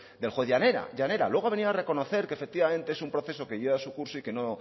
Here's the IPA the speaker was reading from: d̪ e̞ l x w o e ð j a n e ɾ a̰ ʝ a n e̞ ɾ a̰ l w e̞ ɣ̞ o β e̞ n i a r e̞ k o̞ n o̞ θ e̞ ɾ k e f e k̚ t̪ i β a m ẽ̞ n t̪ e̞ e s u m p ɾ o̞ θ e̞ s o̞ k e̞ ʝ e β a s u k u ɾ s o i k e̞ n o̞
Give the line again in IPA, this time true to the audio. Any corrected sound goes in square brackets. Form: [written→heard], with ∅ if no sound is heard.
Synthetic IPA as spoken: d̪ e̞ l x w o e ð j a n e ɾ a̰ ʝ a n e̞ ɾ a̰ l w e̞ ɣ̞ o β e̞ n i a r e̞ k o̞ n o̞ θ e̞ ɾ k e f e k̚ t̪ i β a m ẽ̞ n t̪ e̞ e s u m p ɾ o̞ θ e̞ s o̞ k e̞ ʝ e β a s u k u ɾ s o i k e̞ n o̞

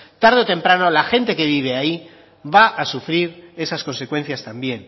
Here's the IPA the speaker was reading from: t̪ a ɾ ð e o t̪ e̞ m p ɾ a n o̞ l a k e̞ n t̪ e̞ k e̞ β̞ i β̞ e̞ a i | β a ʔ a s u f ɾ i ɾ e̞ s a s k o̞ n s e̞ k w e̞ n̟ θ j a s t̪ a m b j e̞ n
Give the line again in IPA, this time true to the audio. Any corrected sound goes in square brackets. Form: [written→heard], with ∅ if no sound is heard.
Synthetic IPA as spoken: t̪ a ɾ ð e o t̪ e̞ m p ɾ a n o̞ l a [k→x] e̞ n t̪ e̞ k e̞ β̞ i β̞ e̞ a i | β a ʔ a s u f ɾ i ɾ e̞ s a s k o̞ n s e̞ k w e̞ n̟ θ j a s t̪ a m b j e̞ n

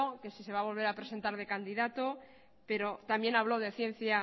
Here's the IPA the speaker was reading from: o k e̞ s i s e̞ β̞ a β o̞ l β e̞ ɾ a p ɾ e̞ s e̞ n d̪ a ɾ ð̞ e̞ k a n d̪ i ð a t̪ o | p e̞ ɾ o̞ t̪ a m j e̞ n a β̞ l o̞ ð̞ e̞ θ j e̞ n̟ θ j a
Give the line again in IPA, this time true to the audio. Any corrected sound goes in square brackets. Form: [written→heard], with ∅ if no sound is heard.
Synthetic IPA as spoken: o k e̞ s i s e̞ β̞ a β o̞ l β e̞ ɾ a p ɾ e̞ s e̞ n [d̪→t̪] a ɾ ð̞ e̞ k a n d̪ i ð a t̪ o | p e̞ ɾ o̞ t̪ a m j e̞ n a β̞ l o̞ ð̞ e̞ θ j e̞ n̟ θ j a

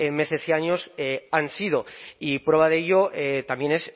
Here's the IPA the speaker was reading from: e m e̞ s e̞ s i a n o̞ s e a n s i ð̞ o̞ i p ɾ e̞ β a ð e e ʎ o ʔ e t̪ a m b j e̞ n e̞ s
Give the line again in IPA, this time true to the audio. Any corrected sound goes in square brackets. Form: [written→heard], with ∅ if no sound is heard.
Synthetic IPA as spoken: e m e̞ s e̞ s i a [n→ɲ] o̞ s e a n s i ð̞ o̞ i p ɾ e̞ β a ð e e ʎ o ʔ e t̪ a m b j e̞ n e̞ s

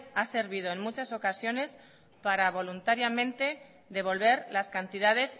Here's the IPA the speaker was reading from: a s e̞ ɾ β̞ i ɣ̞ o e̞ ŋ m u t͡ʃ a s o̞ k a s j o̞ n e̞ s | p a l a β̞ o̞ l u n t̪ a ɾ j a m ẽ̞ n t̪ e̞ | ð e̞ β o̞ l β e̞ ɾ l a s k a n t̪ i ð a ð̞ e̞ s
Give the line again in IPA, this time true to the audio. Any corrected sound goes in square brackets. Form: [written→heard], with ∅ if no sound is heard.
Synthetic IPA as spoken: a s e̞ ɾ β̞ i [ɣ̞→ð̞] o e̞ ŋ m u t͡ʃ a s o̞ k a s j o̞ n e̞ s | p a [l→ɾ] a β̞ o̞ l u n t̪ a ɾ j a m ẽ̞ n t̪ e̞ | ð e̞ β o̞ l β e̞ ɾ l a s k a n t̪ i ð a ð̞ e̞ s

